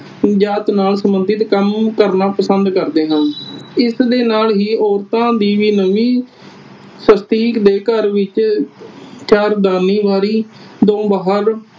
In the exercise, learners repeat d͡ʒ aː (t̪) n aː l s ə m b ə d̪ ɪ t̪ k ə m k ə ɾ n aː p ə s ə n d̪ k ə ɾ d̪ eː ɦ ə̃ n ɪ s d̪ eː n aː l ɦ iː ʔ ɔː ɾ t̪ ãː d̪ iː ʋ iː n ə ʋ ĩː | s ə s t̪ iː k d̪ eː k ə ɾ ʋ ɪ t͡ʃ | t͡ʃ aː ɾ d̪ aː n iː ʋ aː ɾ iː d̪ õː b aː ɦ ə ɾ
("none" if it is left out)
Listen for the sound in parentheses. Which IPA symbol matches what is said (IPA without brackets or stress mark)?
t̪